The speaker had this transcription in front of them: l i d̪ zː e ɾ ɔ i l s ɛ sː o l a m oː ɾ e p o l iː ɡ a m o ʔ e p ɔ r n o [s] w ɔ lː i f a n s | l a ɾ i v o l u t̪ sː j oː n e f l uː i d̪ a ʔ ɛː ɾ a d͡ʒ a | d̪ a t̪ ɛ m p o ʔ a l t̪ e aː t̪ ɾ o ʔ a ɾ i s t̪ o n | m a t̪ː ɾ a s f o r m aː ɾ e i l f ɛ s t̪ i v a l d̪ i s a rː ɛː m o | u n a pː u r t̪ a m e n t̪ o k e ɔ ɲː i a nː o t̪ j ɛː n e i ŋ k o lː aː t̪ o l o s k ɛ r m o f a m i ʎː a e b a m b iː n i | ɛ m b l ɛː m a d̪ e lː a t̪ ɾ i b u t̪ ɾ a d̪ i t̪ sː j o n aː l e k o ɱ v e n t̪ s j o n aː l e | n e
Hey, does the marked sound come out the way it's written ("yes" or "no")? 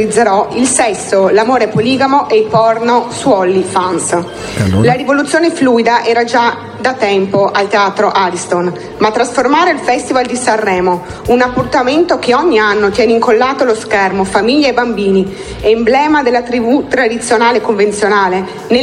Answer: yes